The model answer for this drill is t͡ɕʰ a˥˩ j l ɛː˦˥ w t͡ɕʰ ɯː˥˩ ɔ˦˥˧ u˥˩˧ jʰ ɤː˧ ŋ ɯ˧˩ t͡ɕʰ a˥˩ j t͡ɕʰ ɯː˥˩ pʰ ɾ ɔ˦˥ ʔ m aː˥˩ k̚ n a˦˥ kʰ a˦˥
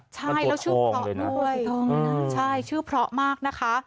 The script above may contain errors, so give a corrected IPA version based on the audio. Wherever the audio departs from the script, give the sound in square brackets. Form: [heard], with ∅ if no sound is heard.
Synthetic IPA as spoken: t͡ɕʰ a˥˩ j l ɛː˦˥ w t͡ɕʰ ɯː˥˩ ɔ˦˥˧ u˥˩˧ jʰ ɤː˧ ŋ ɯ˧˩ t͡ɕʰ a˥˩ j t͡ɕʰ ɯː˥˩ pʰ ɾ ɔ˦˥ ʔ m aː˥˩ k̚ n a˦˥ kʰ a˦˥